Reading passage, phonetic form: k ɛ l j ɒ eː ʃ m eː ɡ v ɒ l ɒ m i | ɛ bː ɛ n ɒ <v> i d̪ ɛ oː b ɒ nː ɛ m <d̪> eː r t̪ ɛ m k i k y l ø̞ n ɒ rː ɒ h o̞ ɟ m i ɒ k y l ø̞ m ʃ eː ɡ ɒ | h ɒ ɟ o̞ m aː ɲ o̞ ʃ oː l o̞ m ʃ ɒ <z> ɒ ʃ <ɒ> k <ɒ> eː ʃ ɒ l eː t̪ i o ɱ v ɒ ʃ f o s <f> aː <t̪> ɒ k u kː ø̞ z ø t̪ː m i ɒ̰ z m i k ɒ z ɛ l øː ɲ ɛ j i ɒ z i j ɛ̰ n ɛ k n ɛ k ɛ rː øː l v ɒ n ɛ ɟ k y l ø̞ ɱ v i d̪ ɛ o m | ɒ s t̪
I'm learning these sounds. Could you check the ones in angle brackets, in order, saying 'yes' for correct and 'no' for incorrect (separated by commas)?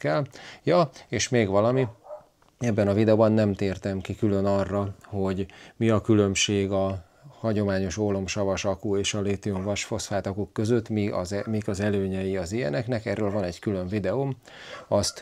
yes, no, no, yes, no, yes, yes